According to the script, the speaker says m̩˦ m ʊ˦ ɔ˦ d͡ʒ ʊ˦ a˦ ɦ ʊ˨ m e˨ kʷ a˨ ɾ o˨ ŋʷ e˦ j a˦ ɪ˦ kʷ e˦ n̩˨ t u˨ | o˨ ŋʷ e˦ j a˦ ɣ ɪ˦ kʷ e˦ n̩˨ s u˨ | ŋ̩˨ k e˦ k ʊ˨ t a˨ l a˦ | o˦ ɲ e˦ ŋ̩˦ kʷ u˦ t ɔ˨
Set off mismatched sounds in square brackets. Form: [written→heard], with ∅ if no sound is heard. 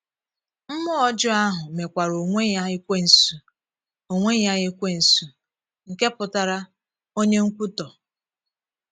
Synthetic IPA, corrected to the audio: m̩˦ m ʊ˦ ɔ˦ d͡ʒ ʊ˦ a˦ ɦ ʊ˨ m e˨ kʷ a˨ ɾ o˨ ŋʷ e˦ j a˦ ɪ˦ kʷ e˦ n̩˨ [t→s] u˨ | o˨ ŋʷ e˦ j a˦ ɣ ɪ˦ kʷ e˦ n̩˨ s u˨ | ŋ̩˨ k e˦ [k→p] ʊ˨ t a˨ [l→ɾ] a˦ | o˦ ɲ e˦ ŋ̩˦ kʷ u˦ t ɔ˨